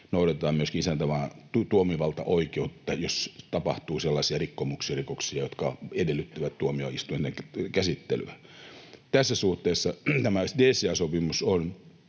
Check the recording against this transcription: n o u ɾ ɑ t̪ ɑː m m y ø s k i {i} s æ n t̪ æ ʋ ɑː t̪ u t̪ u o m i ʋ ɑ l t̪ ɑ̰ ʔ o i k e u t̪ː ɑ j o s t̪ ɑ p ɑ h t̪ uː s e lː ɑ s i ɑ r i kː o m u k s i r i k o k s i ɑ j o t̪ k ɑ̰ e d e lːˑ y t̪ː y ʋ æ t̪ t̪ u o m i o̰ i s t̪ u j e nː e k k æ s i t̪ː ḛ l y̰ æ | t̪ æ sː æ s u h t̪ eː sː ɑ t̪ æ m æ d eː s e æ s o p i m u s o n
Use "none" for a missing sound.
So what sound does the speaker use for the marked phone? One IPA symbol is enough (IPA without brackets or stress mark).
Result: i